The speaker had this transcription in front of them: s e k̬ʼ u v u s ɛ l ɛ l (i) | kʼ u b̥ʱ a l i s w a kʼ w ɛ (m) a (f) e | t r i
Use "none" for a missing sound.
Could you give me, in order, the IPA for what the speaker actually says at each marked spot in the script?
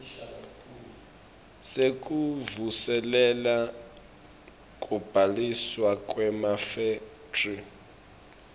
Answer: a, m, f

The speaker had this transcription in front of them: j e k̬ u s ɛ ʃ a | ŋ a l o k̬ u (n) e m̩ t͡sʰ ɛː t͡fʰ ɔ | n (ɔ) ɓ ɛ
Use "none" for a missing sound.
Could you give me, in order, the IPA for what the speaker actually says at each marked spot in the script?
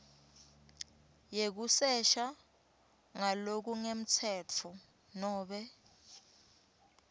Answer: ŋ, ɔː

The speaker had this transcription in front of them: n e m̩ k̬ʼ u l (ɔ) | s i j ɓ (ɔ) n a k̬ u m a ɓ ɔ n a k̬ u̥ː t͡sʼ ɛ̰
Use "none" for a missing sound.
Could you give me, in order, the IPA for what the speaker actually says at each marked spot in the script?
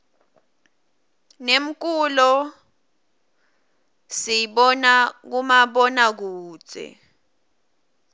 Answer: ɔ, ɔ

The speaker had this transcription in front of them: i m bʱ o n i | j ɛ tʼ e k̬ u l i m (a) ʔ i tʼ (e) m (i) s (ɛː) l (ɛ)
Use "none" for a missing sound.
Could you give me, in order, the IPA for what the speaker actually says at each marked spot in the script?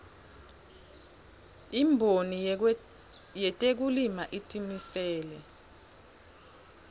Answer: a, i, i, ɛː, ɛ

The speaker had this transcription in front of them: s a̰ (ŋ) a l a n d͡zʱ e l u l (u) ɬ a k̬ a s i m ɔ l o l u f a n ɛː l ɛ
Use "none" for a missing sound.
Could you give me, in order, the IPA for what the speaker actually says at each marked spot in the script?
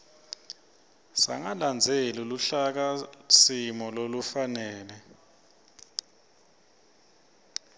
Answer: ŋ, u

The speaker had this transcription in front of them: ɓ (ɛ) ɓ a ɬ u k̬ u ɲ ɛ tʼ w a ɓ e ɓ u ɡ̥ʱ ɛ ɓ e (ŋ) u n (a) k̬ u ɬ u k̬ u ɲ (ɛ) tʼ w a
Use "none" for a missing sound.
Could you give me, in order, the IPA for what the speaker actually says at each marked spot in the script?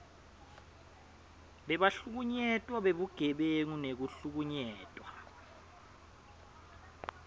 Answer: ɛ, ŋ, e, ɛː

